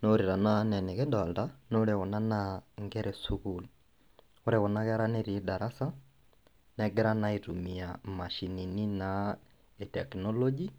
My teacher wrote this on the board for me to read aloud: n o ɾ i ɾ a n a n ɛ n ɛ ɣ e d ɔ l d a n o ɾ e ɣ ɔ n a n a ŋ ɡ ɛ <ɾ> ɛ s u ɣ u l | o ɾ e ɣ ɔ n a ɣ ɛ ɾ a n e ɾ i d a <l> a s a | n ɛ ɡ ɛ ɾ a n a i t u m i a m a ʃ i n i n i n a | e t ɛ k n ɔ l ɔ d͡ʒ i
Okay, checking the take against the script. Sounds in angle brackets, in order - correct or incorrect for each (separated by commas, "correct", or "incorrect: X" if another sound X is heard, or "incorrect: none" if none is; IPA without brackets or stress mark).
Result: correct, incorrect: ɾ